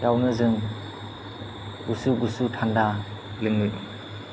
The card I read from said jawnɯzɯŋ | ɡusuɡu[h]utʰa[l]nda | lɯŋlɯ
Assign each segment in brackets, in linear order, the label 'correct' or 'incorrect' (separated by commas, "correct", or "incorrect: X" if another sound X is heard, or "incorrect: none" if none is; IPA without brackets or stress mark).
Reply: incorrect: s, incorrect: none